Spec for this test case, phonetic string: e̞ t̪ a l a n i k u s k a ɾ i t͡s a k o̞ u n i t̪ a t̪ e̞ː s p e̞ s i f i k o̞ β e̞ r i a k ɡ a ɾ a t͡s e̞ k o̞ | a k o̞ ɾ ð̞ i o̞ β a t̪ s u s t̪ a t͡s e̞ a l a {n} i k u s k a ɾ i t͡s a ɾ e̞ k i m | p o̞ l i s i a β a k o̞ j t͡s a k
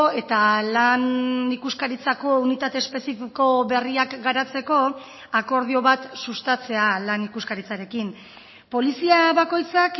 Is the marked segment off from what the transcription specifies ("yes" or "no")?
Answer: no